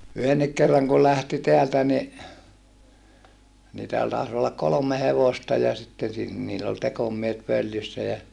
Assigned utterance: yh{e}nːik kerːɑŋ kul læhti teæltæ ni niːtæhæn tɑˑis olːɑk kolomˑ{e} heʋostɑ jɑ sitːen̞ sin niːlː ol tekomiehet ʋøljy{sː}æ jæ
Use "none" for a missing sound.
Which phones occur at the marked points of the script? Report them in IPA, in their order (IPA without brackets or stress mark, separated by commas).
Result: e, e, sː